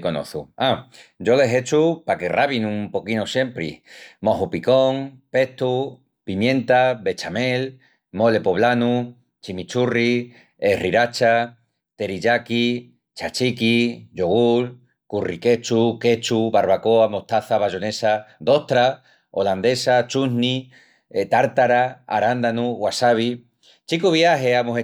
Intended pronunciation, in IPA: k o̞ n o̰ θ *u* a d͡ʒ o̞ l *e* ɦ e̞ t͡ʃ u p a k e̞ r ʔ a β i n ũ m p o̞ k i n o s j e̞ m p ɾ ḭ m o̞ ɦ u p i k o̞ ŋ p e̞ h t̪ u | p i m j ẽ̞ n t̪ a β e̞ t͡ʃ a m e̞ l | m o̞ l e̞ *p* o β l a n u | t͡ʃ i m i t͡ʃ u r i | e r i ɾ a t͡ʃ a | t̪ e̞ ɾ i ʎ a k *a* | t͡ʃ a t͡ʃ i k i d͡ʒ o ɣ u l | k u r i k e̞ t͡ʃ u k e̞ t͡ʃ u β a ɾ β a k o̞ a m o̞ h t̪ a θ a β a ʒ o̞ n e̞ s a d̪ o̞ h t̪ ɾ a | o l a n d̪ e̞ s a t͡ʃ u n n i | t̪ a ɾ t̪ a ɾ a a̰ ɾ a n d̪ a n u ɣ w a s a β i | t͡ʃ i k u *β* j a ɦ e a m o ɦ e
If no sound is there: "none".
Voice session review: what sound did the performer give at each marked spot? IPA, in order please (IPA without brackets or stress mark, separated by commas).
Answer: u, e, p, i, β